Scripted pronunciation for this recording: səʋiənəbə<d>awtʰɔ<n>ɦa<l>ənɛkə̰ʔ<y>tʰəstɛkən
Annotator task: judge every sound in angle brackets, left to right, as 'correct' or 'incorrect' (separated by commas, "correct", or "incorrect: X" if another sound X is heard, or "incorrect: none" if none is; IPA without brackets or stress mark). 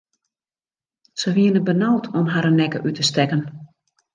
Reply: incorrect: n, incorrect: m, incorrect: ɾ, correct